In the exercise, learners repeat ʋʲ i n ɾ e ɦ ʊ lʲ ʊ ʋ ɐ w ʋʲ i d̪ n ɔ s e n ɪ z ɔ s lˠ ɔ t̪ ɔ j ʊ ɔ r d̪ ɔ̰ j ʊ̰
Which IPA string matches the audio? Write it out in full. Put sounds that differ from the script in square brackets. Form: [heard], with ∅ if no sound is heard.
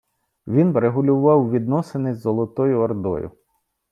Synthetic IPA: ʋʲ i n ɾ e ɦ ʊ lʲ ʊ ʋ [ɑ] w ʋʲ i d̪ n ɔ s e n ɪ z ɔ [∅] lˠ ɔ t̪ ɔ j ʊ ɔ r d̪ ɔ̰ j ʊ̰